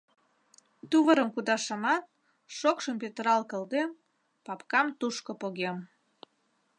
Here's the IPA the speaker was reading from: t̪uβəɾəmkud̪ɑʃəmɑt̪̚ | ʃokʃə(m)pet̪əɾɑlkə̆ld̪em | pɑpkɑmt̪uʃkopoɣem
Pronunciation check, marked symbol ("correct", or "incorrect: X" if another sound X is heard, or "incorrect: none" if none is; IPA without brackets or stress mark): correct